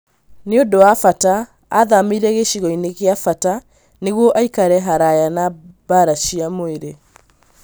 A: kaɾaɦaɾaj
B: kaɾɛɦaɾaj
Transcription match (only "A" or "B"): B